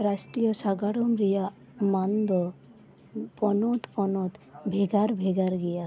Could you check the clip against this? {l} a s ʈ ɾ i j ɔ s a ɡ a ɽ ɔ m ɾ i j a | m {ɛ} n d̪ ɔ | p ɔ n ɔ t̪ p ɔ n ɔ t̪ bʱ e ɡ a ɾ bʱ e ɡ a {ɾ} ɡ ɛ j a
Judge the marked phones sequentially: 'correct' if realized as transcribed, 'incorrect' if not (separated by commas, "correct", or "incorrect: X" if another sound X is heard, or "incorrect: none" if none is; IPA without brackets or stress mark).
incorrect: ɾ, incorrect: a, correct